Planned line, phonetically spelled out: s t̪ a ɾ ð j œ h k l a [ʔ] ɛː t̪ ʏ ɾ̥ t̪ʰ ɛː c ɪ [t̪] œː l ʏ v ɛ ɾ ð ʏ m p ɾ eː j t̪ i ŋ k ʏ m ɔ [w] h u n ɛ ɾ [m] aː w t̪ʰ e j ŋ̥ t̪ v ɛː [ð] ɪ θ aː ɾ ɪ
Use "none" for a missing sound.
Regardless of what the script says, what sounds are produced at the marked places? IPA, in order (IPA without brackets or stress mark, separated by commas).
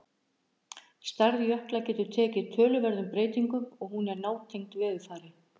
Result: c, t̪ʰ, ɣ, n, ð